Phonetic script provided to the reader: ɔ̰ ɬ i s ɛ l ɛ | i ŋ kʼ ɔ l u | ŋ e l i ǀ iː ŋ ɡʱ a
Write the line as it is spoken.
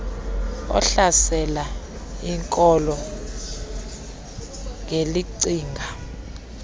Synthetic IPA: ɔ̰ ɬ a s ɛ l a | i ŋ kʼ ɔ l ɔ | ŋ e l i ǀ iː ŋ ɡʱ a